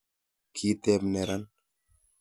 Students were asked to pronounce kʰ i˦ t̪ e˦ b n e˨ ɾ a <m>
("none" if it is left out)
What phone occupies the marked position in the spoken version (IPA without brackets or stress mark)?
n